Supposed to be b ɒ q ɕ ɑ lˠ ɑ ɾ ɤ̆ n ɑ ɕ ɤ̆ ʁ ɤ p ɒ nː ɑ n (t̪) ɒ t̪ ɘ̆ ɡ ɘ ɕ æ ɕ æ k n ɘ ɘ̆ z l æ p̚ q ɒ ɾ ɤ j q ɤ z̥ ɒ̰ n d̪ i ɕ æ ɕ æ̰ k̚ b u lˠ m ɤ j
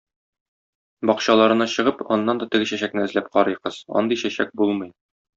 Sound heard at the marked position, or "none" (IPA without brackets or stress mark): d̪